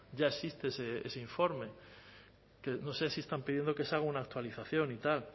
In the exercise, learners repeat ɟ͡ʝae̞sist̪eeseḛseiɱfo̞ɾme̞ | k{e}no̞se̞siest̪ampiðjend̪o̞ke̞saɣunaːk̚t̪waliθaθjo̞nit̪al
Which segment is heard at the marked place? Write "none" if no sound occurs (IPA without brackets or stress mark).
e